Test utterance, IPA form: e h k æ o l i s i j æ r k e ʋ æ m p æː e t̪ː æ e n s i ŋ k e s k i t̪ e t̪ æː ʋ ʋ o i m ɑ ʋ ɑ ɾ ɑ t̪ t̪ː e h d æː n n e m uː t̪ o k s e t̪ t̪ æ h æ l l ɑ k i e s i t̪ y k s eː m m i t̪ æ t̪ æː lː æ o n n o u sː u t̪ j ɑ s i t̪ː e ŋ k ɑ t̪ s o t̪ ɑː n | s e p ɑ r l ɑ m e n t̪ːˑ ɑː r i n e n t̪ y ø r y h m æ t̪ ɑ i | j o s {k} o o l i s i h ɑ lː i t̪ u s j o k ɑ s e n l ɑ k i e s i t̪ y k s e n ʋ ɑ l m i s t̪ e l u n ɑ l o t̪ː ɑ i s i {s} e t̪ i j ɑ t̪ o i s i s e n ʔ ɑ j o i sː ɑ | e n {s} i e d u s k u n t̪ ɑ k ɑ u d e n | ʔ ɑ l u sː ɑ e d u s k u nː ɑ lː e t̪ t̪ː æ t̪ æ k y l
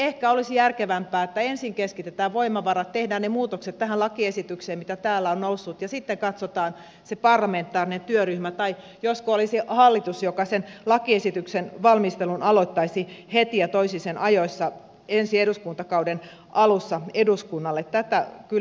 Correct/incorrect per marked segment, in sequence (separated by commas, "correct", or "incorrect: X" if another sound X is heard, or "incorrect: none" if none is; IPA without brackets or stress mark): correct, incorrect: h, correct